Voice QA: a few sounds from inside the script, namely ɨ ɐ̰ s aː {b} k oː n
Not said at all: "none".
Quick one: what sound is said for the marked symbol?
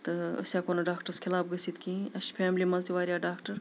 none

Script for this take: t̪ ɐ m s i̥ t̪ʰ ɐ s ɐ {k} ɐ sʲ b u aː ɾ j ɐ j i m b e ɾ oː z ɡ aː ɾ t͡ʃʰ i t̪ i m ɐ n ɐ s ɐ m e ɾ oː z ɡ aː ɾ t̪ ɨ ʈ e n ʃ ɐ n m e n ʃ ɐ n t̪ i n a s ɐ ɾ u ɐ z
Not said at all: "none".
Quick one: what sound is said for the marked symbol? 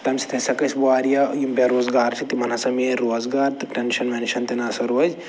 k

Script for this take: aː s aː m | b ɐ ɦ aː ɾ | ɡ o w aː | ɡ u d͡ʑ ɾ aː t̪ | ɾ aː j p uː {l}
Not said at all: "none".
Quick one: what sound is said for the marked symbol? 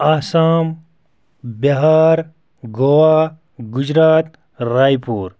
ɾ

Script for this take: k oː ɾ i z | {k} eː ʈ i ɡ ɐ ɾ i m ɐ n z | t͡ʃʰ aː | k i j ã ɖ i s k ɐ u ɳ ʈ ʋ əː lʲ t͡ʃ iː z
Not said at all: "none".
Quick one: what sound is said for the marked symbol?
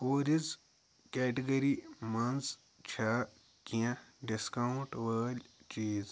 k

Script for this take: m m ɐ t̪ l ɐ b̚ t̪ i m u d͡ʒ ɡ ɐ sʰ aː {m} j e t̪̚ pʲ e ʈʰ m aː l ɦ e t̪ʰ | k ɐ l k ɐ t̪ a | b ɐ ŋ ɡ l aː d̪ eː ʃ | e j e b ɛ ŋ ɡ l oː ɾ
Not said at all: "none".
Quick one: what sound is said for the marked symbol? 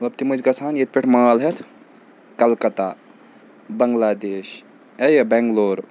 n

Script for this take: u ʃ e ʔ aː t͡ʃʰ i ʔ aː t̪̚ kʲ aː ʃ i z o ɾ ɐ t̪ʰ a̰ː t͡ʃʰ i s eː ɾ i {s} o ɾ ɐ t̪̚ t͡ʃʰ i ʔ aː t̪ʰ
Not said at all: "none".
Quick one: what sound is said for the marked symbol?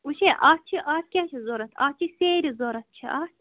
z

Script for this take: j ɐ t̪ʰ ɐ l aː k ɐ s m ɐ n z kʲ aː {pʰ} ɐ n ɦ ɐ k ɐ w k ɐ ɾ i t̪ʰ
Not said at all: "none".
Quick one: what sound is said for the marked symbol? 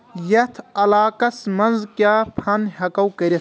pʰ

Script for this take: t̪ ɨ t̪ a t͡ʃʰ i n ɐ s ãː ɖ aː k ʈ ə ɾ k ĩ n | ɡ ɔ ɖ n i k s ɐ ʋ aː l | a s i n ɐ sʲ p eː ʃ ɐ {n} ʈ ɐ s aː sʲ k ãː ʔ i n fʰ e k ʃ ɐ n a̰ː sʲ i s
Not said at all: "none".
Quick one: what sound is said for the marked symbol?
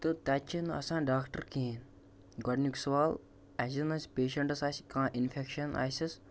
ɳ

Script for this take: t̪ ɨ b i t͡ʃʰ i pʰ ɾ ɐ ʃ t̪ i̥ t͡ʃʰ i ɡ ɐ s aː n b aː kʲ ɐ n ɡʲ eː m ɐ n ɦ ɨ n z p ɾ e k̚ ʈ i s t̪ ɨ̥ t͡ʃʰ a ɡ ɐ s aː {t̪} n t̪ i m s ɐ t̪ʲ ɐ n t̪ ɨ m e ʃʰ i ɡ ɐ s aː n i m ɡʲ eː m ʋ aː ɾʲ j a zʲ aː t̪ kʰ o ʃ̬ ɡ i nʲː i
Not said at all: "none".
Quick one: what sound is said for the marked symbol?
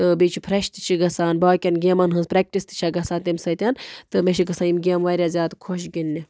none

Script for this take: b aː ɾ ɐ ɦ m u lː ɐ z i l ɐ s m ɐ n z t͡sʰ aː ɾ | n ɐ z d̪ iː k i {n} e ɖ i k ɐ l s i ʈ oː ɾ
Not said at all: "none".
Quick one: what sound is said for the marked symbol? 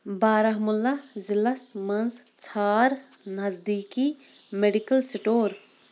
m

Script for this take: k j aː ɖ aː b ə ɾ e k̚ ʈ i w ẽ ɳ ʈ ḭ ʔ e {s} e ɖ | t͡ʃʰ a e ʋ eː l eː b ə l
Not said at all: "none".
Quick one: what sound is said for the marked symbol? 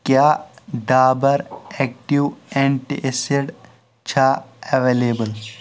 s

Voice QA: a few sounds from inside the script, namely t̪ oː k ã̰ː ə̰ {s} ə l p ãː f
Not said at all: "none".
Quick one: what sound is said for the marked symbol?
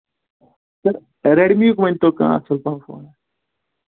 s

